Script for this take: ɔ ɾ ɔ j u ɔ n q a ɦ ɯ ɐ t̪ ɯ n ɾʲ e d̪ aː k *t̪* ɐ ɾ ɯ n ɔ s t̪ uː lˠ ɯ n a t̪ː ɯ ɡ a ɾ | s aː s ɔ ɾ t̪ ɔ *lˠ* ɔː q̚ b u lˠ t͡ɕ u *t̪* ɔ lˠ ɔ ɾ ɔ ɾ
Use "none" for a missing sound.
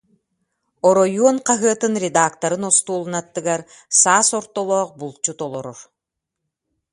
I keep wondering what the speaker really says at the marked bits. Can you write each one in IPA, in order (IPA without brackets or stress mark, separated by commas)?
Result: t̪, lˠ, t̪